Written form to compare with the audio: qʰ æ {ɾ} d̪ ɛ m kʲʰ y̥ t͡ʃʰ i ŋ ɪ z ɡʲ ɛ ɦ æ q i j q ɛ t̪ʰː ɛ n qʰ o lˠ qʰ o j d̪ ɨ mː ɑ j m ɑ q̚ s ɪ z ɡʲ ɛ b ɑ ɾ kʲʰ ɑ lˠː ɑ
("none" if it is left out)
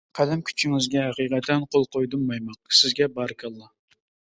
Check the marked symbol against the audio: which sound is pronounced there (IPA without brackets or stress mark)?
none